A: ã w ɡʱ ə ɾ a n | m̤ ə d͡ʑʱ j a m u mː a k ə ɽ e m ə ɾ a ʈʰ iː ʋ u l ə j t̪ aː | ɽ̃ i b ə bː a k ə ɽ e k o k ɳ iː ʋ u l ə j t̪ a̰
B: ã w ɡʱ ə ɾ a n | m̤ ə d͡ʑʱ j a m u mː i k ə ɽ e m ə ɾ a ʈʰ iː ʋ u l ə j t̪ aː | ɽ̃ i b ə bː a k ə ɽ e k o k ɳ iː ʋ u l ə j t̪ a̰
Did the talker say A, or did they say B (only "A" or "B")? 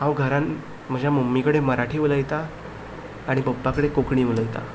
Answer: B